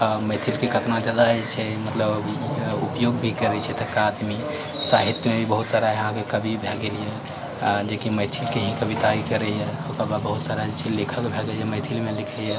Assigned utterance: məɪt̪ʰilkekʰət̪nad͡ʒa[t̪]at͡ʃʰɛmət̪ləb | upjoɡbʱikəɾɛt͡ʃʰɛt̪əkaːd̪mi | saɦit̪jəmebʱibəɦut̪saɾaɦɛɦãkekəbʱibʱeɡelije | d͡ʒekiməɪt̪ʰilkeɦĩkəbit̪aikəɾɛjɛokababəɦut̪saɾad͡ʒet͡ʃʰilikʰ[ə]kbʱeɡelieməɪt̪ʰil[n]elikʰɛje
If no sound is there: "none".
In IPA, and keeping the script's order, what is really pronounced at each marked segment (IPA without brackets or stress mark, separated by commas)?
d̪, ə, m